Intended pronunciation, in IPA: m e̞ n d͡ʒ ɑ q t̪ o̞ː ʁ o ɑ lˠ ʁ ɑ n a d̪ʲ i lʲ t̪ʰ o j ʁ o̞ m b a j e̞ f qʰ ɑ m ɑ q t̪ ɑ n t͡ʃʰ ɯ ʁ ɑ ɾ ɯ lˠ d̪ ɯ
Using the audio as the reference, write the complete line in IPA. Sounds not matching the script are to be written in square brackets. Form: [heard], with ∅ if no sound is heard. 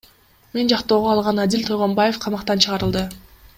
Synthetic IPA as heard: m e̞ n d͡ʒ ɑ q t̪ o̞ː ʁ o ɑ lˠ ʁ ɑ n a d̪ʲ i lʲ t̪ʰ o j ʁ o̞ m b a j e̞ f qʰ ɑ m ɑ q t̪ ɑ n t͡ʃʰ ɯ ʁ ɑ ɾ ɯ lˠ d̪ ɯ